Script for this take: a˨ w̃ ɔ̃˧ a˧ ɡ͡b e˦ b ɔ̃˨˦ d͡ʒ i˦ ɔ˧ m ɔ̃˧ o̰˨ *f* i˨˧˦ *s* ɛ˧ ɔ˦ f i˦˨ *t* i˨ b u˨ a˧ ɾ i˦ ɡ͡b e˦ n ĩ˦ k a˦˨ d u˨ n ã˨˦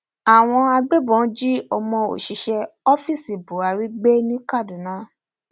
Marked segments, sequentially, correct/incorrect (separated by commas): incorrect, incorrect, incorrect